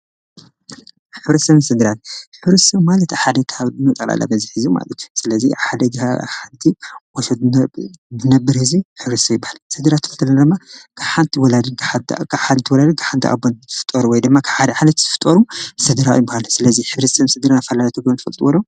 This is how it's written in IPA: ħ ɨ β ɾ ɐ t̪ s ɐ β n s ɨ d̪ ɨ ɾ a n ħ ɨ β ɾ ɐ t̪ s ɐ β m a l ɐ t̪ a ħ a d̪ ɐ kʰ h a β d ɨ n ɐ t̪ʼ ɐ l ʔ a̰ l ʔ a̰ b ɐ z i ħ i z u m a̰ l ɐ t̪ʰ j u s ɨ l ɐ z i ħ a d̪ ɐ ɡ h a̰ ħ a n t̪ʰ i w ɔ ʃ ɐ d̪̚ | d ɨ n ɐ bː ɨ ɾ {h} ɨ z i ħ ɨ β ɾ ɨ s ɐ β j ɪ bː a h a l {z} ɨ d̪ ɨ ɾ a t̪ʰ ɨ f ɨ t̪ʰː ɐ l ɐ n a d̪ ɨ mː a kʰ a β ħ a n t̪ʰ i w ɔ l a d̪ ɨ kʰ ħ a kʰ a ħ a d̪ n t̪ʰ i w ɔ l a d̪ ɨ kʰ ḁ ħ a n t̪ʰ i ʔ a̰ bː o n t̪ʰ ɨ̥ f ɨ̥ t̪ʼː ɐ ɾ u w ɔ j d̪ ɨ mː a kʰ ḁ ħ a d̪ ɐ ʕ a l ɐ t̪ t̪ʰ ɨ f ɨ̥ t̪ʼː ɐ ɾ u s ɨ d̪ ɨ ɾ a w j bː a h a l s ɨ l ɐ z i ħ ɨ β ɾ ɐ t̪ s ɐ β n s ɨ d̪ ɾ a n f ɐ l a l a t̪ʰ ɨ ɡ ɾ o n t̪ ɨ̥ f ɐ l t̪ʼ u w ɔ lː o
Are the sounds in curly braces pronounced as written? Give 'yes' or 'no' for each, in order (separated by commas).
yes, no